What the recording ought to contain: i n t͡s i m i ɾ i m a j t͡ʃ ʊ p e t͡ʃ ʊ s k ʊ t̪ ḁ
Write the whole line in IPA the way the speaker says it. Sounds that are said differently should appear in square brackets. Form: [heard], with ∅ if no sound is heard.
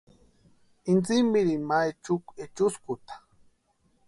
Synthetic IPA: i n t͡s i m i ɾ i m a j t͡ʃ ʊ [k] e t͡ʃ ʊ s k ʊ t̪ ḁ

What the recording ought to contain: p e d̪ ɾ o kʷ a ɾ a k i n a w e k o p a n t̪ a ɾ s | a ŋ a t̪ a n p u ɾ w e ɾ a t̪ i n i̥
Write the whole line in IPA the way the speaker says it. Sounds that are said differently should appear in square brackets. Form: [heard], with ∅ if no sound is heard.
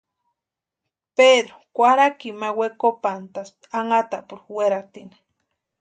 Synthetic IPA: p e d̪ ɾ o kʷ a ɾ a k i [m] a w e k o p a n t̪ a [∅] s | a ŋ a t̪ a [∅] p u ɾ w e ɾ a t̪ i n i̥

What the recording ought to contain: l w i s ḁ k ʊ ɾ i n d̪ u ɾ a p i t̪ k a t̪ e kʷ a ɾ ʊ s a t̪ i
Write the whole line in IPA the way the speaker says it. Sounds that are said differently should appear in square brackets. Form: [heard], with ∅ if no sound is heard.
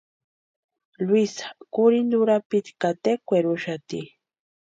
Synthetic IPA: l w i s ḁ k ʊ ɾ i n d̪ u ɾ a p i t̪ k a t̪ e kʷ [e] ɾ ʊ [ʃ] a t̪ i

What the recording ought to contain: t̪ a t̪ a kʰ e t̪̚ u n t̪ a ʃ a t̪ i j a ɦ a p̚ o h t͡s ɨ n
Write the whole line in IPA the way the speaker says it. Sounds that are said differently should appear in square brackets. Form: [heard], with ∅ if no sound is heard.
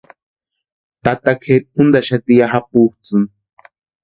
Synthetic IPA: t̪ a t̪ a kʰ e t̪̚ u n [d̪] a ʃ a t̪ i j a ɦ a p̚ [u] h t͡s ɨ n

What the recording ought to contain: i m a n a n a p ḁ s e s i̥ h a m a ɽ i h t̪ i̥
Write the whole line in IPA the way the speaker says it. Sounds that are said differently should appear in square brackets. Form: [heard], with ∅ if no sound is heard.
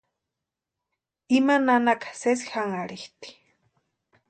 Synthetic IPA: i m a n a n a [k] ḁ s e s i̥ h a [ŋ] a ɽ i h t̪ i̥

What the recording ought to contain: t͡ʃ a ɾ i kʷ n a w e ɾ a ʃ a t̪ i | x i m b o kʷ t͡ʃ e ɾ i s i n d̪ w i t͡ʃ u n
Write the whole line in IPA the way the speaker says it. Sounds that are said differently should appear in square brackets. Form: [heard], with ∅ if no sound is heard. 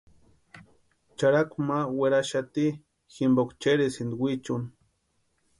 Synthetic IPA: t͡ʃ a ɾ [a] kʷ [m] a w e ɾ a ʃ a t̪ i | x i m b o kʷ t͡ʃ e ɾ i s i n d̪ w i t͡ʃ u n

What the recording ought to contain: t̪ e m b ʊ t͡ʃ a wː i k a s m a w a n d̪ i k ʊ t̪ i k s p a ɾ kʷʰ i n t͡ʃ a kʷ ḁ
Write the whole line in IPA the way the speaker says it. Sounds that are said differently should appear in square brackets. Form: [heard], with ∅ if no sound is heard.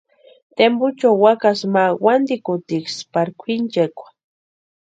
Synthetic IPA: t̪ e m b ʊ t͡ʃ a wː [a] k a s m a w a n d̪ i k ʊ t̪ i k s p a ɾ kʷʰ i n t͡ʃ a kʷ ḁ

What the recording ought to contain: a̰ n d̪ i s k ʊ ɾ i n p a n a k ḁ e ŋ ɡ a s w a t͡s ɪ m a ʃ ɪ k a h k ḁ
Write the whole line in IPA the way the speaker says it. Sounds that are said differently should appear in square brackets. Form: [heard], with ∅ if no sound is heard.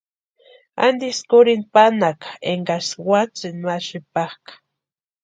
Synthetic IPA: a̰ n d̪ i s k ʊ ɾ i n p a n a k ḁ e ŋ ɡ a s w a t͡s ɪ [n] a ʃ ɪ [p] a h k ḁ

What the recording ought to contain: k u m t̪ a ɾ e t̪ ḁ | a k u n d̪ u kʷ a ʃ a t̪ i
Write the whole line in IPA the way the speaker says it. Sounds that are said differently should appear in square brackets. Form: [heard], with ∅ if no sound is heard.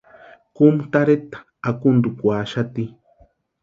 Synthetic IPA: k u m t̪ a ɾ e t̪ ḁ | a k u n d̪ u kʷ a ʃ a t̪ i

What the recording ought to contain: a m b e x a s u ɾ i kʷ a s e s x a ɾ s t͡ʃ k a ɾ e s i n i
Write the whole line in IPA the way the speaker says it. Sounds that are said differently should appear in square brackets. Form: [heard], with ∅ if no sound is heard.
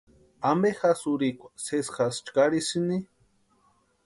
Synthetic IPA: a m b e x a s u ɾ i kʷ a s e s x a [∅] s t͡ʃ k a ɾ [i] s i n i

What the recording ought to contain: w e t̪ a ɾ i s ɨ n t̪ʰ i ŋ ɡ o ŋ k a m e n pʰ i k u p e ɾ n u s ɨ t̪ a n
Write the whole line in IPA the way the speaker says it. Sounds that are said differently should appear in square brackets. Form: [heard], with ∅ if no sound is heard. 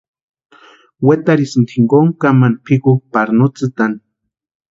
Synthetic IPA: w e t̪ a ɾ i s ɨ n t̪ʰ i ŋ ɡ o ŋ k a m [a] n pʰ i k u p [a] ɾ n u [t͡s] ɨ t̪ a n

